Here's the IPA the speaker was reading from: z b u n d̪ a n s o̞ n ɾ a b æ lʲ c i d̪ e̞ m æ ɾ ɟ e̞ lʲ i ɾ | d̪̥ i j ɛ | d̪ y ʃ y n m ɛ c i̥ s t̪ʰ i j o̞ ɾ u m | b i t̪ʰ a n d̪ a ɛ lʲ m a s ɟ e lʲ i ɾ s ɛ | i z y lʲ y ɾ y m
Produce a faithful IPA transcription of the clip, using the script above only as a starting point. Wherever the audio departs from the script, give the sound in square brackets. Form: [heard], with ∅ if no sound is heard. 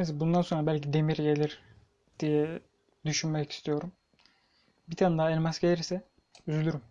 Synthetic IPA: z b u n d̪ a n s o̞ n ɾ a b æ lʲ c i d̪ e̞ m [i] ɾ ɟ e̞ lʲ i ɾ | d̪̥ i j ɛ | d̪ y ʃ y n m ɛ c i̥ s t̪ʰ i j o̞ ɾ u m | b i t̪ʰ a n d̪ a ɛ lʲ m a s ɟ e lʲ i ɾ s ɛ | [y] z y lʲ y ɾ y m